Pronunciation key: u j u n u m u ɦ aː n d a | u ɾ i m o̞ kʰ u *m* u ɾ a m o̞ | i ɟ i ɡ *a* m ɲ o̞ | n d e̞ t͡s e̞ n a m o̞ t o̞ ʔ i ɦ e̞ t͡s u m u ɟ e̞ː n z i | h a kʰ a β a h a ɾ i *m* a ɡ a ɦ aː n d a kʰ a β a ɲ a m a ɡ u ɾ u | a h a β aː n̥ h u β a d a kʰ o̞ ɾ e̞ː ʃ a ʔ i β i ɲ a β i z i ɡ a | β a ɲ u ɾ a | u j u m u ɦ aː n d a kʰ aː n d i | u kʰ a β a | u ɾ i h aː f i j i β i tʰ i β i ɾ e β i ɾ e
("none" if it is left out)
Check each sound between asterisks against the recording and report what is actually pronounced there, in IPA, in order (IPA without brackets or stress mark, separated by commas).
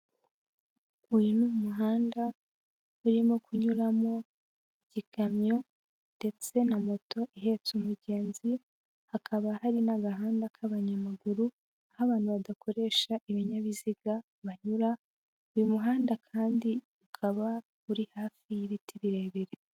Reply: ɲ, a, n